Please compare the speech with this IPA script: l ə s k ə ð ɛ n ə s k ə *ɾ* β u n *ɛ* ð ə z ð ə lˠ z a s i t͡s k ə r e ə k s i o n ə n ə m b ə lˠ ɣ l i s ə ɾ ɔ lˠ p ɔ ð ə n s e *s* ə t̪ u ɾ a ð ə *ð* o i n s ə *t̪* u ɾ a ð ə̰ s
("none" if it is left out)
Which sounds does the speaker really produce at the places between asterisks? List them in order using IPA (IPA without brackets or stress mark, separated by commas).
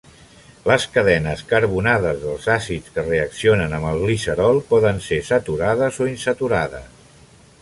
ɾ, a, s, z, t̪